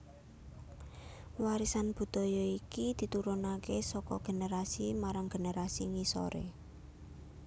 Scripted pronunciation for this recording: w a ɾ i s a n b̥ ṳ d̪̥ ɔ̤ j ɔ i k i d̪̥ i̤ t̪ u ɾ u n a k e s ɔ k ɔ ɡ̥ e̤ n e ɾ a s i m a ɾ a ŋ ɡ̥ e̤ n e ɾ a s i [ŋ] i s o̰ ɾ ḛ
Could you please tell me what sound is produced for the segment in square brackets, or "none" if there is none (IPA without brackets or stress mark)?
ŋ